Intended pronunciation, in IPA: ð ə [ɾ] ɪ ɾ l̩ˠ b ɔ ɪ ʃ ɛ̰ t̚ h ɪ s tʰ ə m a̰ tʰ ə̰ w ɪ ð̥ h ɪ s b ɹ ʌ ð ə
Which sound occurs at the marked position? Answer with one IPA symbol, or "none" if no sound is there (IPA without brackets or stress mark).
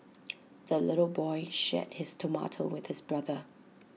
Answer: l